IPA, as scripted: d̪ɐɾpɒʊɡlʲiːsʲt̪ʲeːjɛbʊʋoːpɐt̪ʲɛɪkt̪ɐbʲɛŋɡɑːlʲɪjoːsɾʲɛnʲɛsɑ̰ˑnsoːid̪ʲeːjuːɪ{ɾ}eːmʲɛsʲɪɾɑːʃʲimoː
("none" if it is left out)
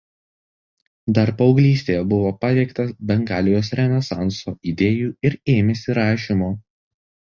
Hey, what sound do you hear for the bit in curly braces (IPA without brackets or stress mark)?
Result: ɾ